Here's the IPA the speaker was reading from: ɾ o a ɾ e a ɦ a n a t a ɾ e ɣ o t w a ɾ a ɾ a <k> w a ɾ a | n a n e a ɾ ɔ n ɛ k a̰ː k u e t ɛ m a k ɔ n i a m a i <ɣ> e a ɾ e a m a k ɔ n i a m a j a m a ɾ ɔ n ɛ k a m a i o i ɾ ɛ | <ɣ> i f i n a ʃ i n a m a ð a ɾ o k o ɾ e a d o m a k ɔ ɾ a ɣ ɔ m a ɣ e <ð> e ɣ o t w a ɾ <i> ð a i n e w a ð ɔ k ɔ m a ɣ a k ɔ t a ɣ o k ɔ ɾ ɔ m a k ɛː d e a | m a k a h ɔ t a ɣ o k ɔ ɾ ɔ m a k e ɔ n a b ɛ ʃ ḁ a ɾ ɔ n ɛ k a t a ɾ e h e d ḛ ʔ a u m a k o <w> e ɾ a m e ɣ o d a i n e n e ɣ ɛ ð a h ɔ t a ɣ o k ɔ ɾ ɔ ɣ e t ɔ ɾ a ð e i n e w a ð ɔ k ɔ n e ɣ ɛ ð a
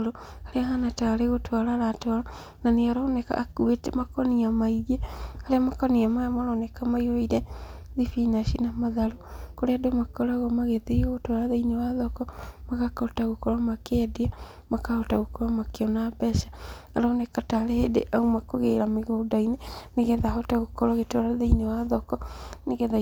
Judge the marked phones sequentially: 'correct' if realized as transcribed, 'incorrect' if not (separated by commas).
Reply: incorrect, correct, incorrect, correct, incorrect, incorrect